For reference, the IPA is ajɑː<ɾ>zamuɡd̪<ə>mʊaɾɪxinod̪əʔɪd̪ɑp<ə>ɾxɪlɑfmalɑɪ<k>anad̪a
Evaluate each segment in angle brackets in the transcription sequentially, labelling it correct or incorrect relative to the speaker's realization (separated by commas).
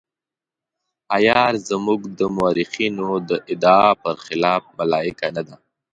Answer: correct, correct, correct, correct